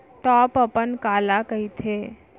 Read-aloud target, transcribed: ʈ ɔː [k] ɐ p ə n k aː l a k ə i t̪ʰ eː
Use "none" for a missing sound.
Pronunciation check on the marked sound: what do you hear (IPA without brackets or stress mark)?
p